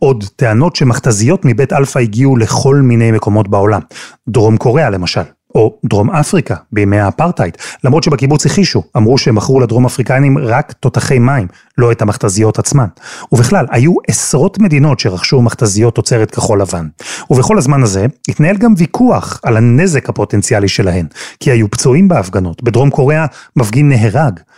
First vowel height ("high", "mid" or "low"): mid